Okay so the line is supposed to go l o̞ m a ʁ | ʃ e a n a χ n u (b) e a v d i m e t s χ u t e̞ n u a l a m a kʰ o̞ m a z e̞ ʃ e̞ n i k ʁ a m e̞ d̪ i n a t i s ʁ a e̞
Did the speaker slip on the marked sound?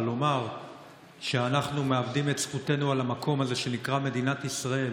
yes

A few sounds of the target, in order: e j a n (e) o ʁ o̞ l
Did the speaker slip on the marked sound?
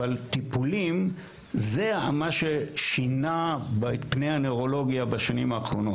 no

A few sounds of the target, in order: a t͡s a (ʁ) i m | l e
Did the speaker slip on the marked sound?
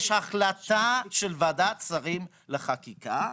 no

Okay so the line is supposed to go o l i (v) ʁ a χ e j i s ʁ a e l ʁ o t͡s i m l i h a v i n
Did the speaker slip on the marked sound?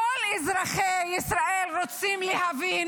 yes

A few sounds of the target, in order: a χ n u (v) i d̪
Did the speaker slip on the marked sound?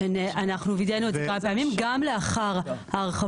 no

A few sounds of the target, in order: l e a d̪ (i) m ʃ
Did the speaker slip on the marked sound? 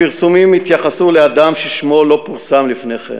yes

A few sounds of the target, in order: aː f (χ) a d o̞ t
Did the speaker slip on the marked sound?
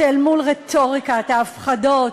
no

